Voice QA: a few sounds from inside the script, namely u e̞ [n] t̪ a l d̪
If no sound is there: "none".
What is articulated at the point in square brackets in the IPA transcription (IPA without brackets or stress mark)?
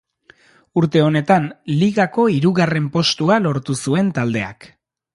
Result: n